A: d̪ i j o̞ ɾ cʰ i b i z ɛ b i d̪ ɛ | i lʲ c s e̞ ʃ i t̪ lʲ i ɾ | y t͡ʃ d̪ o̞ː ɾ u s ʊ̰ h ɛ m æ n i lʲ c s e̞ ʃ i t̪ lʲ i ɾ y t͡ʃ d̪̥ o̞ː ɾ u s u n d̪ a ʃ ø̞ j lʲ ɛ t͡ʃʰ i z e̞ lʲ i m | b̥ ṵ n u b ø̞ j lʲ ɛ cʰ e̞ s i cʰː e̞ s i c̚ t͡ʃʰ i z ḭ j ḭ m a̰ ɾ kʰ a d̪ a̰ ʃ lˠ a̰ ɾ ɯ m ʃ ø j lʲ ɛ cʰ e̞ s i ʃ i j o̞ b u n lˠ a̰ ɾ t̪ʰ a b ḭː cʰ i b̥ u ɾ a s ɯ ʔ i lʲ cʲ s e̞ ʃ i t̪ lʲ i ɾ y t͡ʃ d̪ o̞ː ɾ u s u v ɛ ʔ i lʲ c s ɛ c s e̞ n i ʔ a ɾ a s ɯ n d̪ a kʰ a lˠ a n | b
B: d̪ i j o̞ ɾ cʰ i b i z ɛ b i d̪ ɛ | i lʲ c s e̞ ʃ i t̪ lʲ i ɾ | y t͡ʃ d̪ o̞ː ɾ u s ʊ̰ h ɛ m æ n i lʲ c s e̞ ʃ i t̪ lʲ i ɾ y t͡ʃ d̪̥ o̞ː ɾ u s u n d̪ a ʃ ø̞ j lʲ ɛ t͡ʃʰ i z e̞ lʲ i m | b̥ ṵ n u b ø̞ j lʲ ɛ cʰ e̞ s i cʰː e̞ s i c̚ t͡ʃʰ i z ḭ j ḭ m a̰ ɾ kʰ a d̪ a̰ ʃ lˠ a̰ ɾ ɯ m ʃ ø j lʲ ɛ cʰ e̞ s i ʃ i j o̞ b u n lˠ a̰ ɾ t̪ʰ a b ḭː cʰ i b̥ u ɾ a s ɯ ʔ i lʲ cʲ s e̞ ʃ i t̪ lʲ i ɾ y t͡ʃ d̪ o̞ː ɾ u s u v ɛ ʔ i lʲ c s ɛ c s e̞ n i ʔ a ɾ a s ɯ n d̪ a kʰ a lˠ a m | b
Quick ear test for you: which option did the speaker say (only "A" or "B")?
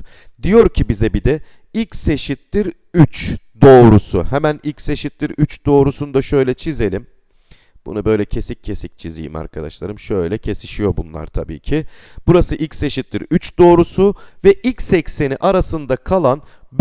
A